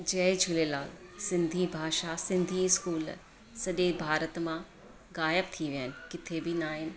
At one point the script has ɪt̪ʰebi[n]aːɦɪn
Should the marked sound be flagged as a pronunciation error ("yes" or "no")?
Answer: no